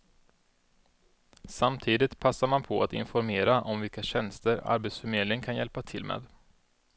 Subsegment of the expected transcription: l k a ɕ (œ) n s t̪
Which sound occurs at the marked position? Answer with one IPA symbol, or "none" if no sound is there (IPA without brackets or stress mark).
ɛ